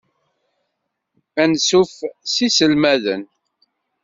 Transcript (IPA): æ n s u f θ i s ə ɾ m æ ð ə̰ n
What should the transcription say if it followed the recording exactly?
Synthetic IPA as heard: æ n s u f s i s ə l m æ ð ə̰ n